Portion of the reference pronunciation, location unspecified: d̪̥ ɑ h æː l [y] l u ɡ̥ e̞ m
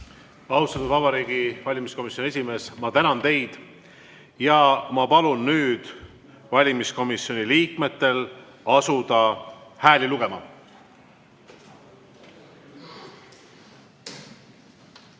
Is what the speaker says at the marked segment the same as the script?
no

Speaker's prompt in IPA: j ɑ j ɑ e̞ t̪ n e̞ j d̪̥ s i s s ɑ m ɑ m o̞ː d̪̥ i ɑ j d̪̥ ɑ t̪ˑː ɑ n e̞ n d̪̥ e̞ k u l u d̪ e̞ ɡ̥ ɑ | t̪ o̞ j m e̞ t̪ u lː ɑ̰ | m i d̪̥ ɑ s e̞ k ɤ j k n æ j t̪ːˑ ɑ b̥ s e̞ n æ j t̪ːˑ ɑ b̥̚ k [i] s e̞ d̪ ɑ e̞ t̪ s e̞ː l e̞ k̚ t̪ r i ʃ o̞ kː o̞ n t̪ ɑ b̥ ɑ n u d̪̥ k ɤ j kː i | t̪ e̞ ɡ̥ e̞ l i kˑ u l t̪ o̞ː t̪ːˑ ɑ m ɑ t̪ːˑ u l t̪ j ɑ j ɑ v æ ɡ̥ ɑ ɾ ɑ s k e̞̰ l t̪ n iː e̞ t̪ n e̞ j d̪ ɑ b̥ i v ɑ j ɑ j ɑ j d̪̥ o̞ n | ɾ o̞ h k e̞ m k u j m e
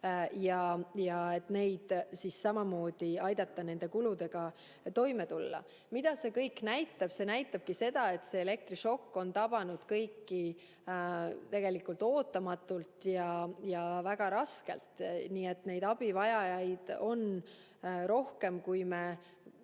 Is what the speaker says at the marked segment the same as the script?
yes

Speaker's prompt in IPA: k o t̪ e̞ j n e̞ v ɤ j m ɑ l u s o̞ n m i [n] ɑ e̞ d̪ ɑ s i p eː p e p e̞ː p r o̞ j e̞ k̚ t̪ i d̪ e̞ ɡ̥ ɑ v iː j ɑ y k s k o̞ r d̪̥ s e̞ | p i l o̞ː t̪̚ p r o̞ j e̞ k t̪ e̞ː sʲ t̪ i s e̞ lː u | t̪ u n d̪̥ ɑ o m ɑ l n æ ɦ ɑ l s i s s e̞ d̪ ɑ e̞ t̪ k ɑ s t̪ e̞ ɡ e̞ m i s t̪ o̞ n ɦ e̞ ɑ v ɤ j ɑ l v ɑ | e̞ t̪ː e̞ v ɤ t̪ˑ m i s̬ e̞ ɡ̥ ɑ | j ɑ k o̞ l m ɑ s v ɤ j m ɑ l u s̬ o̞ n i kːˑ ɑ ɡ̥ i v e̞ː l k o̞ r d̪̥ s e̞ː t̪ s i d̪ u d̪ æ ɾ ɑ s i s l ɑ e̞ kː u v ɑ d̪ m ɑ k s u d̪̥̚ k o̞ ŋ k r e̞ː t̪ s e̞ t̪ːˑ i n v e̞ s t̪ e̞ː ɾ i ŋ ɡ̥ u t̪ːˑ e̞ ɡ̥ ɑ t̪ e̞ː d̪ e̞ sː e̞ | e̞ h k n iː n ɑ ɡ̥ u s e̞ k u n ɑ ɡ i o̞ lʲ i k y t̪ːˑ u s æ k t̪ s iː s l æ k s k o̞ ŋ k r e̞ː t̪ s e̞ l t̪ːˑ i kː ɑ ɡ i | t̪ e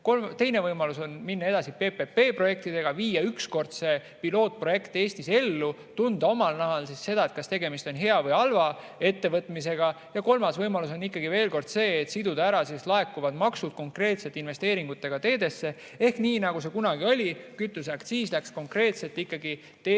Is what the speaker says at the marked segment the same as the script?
no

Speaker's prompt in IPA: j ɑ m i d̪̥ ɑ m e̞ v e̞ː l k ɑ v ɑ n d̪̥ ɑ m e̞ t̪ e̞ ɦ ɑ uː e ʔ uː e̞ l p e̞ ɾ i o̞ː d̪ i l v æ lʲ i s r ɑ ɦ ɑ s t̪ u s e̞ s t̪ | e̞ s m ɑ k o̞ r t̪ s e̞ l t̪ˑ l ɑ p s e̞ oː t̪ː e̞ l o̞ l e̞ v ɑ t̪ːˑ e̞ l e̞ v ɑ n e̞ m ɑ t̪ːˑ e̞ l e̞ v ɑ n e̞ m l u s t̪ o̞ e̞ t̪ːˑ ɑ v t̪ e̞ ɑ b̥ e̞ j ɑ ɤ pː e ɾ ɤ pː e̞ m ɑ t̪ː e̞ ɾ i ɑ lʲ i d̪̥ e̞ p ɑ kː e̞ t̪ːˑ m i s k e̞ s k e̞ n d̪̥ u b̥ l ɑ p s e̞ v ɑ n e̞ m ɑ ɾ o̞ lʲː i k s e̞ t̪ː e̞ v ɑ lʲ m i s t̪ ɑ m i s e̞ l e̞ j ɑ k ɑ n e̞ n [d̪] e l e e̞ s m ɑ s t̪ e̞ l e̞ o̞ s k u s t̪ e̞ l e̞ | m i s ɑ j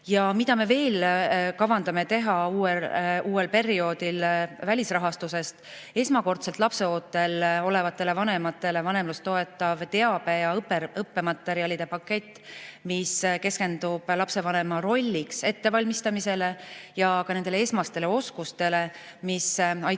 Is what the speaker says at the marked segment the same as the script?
yes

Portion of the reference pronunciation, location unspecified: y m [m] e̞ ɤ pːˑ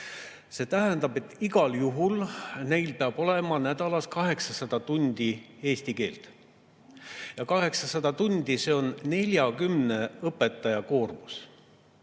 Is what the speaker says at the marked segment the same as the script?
no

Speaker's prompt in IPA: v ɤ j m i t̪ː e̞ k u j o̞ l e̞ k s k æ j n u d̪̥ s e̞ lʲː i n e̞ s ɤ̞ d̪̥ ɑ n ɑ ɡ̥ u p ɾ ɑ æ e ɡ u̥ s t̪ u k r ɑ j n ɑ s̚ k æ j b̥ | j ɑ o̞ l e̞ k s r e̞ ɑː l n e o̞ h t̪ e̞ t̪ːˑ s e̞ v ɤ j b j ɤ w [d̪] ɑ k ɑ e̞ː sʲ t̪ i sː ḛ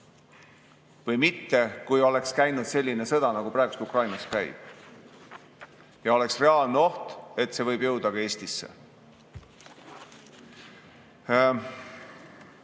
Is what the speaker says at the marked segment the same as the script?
yes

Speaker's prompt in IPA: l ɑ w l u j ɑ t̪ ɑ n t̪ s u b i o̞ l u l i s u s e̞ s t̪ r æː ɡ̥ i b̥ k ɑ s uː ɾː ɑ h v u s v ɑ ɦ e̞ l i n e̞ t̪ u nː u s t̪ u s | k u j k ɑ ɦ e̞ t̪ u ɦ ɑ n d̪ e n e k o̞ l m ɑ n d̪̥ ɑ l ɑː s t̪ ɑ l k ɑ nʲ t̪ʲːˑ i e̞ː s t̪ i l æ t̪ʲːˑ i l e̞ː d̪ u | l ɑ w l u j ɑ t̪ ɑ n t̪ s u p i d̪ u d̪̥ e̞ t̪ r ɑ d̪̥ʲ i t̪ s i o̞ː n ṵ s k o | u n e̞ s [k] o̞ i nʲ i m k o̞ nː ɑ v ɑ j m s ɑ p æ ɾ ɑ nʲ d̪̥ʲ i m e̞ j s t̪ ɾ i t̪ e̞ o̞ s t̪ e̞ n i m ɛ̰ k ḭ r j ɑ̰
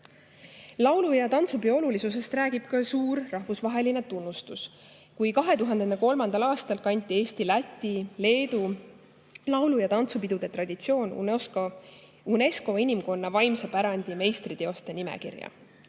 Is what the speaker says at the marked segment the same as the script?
yes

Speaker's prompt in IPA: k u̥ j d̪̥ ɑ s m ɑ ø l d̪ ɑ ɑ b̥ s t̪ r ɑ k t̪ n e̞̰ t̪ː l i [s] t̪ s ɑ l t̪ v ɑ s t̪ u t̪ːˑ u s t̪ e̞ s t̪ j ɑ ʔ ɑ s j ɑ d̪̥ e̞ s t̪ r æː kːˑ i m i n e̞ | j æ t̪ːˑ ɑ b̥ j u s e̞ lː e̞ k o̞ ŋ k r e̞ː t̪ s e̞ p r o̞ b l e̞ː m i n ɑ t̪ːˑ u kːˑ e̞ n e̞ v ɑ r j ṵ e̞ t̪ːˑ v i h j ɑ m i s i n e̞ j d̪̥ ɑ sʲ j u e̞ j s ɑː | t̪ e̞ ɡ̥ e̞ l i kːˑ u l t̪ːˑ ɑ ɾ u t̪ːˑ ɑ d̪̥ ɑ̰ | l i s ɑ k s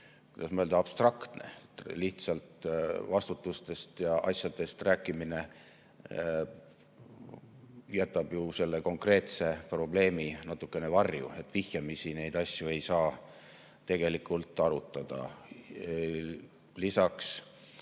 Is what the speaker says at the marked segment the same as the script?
no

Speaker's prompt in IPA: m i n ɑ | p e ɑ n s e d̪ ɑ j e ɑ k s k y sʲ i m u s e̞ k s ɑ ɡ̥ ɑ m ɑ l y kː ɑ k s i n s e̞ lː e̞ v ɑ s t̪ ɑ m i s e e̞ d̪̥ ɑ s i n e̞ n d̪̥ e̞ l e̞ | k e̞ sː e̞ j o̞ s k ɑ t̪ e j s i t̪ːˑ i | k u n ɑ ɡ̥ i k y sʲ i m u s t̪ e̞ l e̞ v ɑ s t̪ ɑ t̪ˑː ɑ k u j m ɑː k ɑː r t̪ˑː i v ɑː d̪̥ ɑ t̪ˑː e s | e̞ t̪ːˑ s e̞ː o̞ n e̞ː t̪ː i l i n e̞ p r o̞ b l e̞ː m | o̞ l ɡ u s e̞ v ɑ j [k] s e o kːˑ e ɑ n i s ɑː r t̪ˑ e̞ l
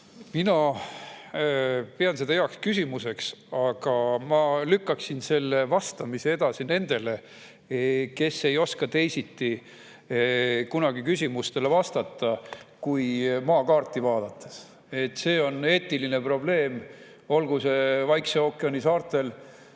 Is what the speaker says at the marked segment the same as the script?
yes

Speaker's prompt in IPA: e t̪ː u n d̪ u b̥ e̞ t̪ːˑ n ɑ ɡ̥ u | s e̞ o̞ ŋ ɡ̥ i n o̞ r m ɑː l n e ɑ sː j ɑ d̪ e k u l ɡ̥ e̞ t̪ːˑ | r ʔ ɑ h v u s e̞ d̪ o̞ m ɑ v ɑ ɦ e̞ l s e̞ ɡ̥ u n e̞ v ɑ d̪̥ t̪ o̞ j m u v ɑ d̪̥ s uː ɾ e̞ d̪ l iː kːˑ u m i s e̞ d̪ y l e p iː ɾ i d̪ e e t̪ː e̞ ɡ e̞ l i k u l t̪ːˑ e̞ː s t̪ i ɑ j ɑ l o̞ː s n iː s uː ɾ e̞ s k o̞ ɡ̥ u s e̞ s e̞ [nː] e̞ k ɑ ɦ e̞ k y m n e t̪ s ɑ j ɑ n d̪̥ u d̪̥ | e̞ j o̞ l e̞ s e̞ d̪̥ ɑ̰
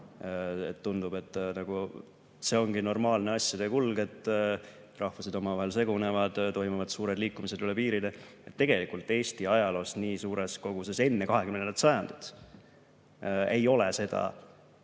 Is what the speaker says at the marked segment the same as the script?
yes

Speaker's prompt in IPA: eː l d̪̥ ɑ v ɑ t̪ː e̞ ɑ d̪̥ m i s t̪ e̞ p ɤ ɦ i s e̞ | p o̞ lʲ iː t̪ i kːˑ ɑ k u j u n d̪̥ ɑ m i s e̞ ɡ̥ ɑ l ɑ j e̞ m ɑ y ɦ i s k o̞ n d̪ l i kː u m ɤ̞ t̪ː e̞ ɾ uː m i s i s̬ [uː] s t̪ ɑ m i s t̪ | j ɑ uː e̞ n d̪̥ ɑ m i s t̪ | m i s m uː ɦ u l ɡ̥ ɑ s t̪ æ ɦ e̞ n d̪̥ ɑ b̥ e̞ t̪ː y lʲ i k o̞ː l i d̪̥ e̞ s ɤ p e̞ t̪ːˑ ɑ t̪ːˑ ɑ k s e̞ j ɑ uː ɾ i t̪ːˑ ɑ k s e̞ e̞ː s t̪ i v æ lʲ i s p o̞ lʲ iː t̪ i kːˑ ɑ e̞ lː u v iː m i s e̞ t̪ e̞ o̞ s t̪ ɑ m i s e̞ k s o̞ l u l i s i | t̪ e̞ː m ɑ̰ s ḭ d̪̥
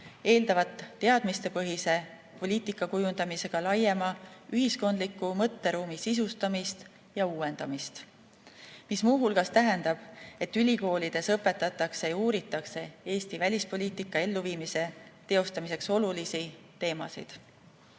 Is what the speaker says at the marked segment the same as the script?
no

